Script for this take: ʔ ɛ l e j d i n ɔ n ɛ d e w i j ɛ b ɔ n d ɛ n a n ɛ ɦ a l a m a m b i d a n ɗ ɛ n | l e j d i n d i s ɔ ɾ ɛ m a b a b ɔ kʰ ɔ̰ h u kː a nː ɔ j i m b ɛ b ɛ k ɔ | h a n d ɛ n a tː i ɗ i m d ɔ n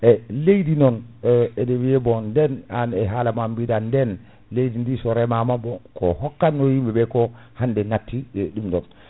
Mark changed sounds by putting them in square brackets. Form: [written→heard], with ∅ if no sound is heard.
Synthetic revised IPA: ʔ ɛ l e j d i n ɔ n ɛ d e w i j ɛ b ɔ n d ɛ n a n ɛ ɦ a l a m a m b i d a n [ɗ→d] ɛ n | l e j d i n d i s ɔ ɾ ɛ m a [b→m] a b ɔ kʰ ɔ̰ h [u→ɔ] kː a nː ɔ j i m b ɛ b ɛ k ɔ | h a n d ɛ n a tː i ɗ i m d ɔ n